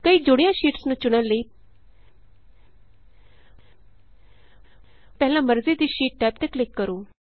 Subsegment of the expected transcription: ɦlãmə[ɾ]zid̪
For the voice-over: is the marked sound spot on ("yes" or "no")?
yes